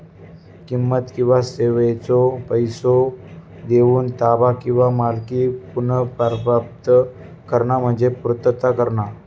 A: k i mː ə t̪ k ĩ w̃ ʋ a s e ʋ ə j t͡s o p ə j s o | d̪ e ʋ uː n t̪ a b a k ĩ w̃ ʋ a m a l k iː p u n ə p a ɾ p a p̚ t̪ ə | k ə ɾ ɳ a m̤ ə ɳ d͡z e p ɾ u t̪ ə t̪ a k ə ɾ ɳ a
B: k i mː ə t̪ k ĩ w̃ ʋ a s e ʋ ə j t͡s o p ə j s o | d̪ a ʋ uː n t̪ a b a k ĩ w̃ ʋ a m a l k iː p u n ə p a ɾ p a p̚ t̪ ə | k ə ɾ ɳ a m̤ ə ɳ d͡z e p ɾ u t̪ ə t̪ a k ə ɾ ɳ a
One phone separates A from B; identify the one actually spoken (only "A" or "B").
A